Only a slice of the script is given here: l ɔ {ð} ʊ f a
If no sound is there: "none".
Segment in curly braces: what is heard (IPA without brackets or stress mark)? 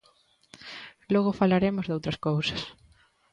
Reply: ɣ